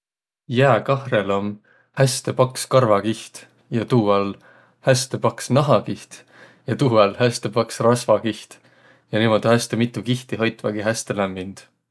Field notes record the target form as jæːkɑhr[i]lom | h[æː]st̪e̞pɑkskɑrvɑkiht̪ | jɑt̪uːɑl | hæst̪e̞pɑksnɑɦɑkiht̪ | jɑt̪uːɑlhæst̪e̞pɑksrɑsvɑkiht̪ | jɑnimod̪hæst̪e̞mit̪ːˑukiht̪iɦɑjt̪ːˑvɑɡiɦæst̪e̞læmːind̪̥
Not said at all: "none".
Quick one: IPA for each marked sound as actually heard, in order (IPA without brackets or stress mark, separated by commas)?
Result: e, æ